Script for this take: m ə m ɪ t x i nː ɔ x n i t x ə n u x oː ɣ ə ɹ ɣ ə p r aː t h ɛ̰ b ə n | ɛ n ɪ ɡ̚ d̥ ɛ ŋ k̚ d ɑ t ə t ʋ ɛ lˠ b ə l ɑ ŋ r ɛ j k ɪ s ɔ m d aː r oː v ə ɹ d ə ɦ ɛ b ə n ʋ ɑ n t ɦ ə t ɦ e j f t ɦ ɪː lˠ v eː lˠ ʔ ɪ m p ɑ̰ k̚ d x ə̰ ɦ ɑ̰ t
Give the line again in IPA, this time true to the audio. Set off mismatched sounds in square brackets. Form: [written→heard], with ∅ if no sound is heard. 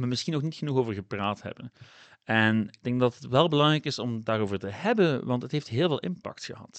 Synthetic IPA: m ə m ɪ [t→s] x i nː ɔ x n i t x ə n u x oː [ɣ→v] ə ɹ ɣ ə p r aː t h ɛ̰ b ə n | ɛ n ɪ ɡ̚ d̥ ɛ ŋ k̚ d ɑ t ə t ʋ ɛ lˠ b ə l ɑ ŋ r ɛ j k ɪ s ɔ m d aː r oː v ə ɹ [d→t] ə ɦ ɛ b ə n ʋ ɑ n t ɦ ə t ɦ e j f t ɦ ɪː lˠ v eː lˠ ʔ ɪ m p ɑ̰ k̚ [d→t] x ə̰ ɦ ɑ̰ t